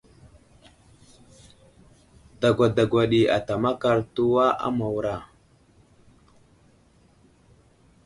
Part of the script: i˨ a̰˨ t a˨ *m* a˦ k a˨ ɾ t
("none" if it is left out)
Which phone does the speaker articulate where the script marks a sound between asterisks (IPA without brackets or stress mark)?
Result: m